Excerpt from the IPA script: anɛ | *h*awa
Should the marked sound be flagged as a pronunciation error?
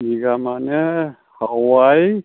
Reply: no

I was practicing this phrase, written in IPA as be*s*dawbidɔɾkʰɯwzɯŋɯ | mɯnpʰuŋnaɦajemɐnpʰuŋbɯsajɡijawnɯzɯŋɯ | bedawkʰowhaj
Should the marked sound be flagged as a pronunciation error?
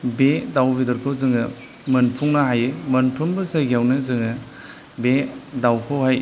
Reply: yes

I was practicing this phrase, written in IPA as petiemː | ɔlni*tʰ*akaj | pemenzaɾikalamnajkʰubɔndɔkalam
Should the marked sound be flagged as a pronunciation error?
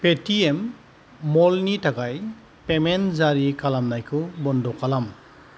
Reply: yes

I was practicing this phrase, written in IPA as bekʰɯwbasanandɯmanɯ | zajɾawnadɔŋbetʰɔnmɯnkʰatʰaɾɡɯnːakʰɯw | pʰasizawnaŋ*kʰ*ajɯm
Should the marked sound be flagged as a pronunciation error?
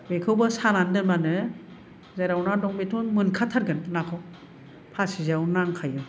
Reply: no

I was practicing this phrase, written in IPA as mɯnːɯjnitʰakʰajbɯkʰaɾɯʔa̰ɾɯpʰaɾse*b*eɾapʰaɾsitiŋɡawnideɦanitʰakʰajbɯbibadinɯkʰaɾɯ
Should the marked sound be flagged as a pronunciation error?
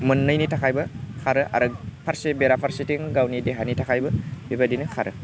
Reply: no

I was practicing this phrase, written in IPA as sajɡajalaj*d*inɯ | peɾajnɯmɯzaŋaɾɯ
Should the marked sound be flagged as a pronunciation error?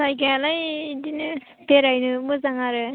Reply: no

